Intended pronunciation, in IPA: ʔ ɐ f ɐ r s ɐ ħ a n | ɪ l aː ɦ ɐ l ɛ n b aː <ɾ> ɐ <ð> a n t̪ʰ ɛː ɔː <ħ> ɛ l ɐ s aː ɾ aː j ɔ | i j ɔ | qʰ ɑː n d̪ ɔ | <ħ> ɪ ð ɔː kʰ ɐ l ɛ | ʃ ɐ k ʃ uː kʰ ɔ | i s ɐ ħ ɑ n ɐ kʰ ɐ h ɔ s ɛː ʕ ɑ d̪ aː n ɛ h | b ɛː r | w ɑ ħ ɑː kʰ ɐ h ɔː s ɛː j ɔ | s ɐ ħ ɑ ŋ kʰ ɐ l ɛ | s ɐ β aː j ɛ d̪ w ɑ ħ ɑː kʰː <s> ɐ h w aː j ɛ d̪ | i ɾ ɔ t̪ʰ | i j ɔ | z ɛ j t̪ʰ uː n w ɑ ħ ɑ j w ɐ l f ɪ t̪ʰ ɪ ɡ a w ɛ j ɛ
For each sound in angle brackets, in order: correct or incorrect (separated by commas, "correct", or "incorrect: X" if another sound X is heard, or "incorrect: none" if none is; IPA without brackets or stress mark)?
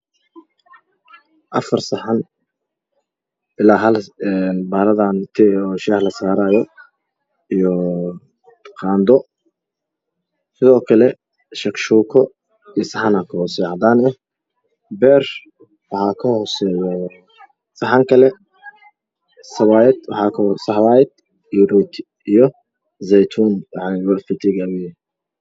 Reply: correct, correct, incorrect: ʃ, incorrect: s, correct